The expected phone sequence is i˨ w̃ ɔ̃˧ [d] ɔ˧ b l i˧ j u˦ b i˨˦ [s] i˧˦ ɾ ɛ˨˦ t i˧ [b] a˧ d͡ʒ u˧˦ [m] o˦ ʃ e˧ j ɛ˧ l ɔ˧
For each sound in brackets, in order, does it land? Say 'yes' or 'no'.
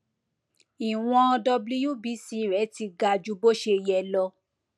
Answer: yes, yes, no, no

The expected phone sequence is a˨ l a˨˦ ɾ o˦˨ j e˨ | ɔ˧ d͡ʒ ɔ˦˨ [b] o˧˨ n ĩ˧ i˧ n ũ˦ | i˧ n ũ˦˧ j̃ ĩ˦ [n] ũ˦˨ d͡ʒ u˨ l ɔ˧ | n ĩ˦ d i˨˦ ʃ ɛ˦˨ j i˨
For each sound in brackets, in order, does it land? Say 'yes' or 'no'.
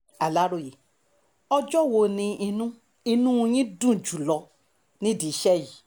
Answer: no, no

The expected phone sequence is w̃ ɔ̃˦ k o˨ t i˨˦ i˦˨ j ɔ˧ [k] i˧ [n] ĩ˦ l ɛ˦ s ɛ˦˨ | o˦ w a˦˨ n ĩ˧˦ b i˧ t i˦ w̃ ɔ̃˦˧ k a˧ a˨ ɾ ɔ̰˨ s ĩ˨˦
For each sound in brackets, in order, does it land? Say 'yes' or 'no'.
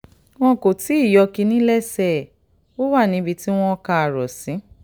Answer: yes, yes

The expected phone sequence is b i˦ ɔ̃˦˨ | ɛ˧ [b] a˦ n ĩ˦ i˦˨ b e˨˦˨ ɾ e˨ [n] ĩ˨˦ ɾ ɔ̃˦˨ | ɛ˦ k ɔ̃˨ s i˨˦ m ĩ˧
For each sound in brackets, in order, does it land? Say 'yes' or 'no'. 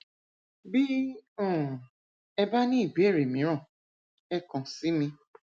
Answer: yes, no

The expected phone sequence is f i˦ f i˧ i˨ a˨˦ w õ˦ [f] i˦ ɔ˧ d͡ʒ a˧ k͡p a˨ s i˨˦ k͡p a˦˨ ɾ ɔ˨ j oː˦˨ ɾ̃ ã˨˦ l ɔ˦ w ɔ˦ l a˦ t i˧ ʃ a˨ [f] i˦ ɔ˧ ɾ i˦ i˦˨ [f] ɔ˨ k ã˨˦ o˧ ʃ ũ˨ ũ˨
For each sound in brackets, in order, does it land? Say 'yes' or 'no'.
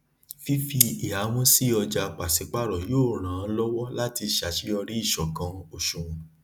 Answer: no, no, no

